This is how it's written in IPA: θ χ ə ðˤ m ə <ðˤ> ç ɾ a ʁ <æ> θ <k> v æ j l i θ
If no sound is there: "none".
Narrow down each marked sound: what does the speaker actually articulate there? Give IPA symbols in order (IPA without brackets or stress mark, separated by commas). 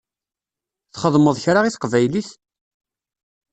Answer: ðˤ, i, q